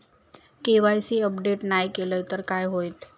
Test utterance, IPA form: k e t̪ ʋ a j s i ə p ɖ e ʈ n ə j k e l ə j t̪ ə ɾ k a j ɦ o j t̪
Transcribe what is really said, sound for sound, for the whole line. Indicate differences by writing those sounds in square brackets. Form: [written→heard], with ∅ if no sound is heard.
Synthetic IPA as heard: k e [t̪→∅] ʋ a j s i ə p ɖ e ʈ n [ə→a] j k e l ə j t̪ ə ɾ k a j ɦ o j t̪

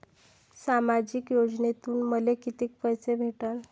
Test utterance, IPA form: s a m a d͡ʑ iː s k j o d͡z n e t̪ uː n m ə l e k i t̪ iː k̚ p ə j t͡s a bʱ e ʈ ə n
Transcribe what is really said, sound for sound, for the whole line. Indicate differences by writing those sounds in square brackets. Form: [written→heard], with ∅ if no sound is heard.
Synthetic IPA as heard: s a m a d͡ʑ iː [s→∅] k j o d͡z n e t̪ uː n m ə l e k i t̪ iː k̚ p ə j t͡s [a→e] bʱ e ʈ ə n

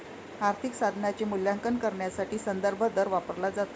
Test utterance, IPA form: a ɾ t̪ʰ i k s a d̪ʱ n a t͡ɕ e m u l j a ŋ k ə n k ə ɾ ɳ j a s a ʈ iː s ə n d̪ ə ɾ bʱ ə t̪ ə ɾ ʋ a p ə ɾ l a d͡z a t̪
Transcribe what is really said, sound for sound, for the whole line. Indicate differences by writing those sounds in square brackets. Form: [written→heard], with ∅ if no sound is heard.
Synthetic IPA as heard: a ɾ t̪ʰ i k s a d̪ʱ n a t͡ɕ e m u l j a ŋ k ə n k ə ɾ ɳ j a s a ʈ iː s ə n d̪ ə ɾ bʱ ə [t̪→d̪] ə ɾ ʋ a p ə ɾ l a d͡z a t̪

